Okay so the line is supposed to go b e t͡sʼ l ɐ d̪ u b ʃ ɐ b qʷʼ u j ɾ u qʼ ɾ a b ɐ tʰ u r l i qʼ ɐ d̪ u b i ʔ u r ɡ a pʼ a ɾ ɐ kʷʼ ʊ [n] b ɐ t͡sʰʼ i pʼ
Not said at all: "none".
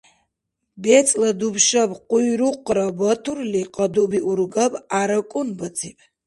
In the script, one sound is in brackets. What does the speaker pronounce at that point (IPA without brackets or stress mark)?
n